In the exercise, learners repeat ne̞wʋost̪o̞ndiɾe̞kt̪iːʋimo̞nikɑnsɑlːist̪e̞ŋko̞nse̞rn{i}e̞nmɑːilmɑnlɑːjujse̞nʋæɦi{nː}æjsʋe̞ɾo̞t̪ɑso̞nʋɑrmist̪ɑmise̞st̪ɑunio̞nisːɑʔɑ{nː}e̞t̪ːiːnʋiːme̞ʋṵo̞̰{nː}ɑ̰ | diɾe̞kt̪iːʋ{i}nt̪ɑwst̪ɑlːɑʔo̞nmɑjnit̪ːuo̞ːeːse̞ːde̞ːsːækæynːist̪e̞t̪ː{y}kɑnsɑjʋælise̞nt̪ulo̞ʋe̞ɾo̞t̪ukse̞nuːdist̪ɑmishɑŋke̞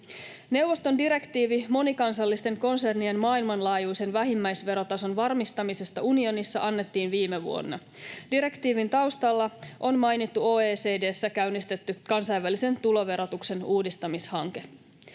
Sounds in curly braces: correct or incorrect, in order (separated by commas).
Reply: correct, incorrect, correct, correct, correct, correct